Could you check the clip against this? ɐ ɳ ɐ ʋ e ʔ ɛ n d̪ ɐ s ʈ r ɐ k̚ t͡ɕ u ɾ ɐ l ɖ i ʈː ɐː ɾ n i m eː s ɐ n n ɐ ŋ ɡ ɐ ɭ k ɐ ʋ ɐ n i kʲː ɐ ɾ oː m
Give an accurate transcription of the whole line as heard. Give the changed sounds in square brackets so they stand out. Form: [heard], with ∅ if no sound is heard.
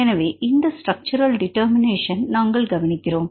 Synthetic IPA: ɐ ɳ ɐ ʋ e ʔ [i] n d̪ ɐ s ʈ r ɐ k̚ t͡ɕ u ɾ ɐ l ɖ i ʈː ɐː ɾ [m] i [n] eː [ʂ] ɐ n n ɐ ŋ ɡ ɐ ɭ [ɡ] ɐ ʋ ɐ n i kʲː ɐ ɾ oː m